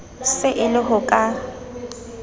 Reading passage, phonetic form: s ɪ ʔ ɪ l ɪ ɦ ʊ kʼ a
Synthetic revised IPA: s ɪ ʔ ɪ l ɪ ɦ ʊ kʼ a